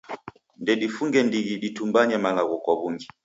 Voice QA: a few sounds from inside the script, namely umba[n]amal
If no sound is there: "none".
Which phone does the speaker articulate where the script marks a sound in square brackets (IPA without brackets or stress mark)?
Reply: ɲ